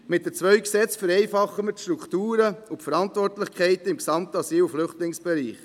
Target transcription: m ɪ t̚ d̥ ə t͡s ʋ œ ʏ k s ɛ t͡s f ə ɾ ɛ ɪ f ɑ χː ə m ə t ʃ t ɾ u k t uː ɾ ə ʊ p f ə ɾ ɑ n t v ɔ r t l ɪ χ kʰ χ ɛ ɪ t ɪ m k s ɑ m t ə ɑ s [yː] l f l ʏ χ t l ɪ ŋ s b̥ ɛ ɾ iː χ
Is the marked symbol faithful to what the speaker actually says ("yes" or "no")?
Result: no